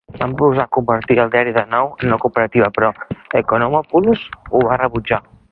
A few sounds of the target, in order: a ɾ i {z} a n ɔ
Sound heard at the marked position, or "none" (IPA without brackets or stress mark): ð